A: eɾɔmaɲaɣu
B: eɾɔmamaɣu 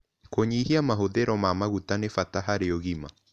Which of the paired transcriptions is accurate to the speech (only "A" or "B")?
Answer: B